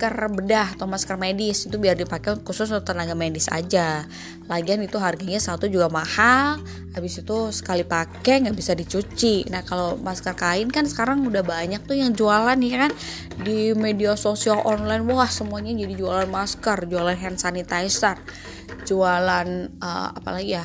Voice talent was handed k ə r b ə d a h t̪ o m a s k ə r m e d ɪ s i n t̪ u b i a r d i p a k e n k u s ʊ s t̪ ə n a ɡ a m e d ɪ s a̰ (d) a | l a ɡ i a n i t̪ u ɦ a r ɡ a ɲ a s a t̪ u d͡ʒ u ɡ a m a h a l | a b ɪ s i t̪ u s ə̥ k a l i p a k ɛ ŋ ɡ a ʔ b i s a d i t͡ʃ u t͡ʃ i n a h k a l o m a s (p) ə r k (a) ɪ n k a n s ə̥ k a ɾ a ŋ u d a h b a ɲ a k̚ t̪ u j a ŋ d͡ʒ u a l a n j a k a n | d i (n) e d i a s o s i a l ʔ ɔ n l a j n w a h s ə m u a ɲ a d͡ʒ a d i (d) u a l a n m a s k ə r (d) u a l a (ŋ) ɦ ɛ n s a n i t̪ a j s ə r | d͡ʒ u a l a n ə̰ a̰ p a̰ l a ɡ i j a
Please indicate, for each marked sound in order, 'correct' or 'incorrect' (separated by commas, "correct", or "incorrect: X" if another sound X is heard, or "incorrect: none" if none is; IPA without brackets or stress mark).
incorrect: d͡ʒ, incorrect: k, correct, incorrect: m, incorrect: d͡ʒ, incorrect: d͡ʒ, incorrect: n